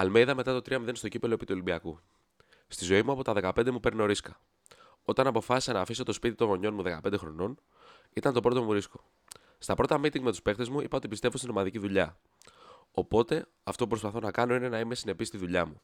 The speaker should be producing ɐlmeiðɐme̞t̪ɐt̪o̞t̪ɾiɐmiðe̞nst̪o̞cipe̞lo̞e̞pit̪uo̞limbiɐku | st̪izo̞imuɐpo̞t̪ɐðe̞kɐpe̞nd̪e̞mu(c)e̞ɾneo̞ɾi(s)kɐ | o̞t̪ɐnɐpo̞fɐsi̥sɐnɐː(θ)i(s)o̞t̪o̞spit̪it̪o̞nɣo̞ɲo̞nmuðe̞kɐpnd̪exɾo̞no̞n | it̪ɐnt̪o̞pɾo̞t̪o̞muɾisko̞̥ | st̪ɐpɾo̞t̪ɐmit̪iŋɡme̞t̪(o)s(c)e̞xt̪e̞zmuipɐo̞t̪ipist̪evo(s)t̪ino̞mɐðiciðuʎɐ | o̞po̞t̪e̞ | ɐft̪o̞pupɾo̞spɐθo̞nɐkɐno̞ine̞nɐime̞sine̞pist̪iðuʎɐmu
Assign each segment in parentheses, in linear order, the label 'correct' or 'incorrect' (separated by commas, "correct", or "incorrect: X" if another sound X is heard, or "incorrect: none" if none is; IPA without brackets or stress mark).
incorrect: p, correct, incorrect: f, correct, incorrect: u, incorrect: p, correct